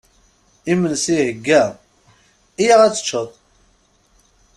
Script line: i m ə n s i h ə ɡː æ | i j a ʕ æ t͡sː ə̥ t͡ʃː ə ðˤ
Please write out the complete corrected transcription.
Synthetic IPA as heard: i m ə n s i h ə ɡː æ | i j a ʁ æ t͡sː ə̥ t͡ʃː ə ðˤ